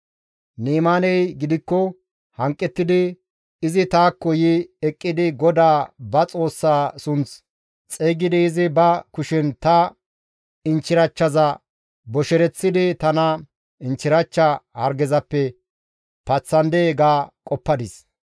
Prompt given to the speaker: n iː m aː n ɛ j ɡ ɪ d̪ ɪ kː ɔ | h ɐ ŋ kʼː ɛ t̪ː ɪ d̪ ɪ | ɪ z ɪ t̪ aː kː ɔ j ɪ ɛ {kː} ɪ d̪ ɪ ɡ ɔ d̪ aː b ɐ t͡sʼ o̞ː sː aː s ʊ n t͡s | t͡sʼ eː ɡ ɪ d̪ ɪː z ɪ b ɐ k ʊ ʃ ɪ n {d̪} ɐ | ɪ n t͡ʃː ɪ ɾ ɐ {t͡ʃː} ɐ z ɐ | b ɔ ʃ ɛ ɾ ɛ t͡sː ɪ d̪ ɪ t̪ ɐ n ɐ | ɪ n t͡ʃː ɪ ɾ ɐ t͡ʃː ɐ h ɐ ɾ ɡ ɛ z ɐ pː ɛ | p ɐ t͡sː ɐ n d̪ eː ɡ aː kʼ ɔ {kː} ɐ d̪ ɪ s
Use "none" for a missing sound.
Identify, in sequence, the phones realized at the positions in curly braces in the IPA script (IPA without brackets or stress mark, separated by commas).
kʼː, t̪, t͡ʃː, pː